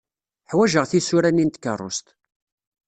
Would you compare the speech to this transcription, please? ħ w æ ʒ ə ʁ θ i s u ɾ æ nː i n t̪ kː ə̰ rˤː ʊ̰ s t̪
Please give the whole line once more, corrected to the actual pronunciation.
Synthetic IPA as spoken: ħ w æ ʒ ə ʁ θ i s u ɾ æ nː i n t̪ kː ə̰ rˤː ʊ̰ s t̪

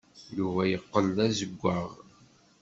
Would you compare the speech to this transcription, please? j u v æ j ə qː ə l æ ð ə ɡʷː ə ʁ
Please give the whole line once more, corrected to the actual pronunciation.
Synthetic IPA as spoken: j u v æ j ə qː ə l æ z ə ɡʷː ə ʁ

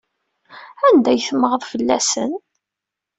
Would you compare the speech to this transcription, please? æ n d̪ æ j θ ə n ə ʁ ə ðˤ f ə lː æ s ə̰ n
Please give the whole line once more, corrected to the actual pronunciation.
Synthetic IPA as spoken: æ n d̪ æ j θ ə m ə ʁ ə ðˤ f ə lː æ s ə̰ n

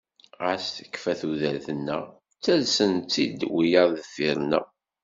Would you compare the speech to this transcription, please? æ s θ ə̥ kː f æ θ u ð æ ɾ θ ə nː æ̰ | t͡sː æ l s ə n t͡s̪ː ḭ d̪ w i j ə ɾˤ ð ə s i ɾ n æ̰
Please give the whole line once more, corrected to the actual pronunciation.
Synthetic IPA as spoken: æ s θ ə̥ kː f æ θ u ð æ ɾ θ ə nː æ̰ | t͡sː æ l s ə n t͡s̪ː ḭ d̪ w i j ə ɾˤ ð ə f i ɾ n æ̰

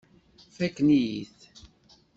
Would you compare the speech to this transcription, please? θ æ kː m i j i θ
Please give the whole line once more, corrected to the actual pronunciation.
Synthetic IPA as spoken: f æ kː n i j i θ

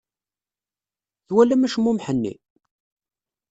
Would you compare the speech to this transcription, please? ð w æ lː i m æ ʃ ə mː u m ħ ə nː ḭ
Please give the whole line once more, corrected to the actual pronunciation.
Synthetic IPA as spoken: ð w æ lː æ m æ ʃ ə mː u m ħ ə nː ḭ

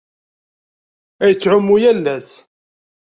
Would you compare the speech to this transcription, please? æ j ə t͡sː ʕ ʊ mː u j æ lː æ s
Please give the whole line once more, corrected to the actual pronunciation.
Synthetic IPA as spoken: æ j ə t͡sː ʕ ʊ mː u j æ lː æ s

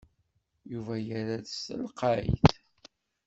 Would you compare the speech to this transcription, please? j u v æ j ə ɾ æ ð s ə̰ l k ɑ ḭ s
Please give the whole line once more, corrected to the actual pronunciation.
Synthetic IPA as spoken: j u v æ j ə ɾ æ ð s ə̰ l q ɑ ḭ θ

